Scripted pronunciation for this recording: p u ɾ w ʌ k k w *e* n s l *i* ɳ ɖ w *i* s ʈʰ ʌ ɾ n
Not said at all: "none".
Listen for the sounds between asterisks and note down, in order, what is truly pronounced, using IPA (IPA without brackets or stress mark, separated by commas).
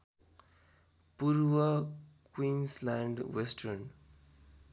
i, a, e